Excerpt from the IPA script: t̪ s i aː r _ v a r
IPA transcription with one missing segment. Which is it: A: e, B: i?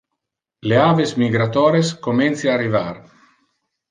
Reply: B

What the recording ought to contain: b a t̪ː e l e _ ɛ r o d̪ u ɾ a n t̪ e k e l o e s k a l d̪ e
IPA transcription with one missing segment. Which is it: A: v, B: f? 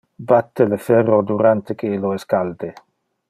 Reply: B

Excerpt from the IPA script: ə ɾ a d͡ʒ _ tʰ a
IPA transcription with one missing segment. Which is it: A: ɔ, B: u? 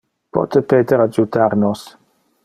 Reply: B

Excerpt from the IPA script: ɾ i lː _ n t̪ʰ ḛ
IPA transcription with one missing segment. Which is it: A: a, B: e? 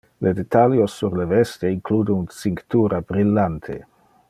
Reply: A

